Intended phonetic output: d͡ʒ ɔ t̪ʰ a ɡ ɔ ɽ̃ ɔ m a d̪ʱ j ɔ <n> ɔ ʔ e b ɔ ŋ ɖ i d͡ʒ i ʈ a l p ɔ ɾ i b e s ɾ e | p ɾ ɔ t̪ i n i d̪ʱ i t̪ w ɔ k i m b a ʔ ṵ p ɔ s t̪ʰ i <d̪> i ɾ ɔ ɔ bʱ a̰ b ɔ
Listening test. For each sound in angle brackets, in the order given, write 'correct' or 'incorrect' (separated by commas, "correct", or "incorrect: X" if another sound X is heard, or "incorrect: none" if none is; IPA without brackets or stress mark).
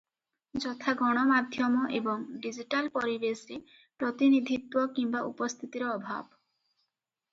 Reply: incorrect: m, incorrect: t̪